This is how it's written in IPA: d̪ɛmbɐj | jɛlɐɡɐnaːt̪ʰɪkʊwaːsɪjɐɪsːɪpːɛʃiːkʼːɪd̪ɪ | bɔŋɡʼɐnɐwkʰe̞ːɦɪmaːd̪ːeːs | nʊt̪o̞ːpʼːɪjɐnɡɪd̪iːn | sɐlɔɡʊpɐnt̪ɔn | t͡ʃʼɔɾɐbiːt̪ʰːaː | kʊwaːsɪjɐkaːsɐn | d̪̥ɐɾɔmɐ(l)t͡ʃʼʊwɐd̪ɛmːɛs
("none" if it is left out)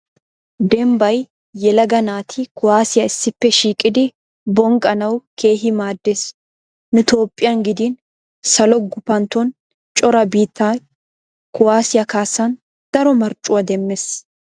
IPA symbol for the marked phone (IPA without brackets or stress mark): ɾ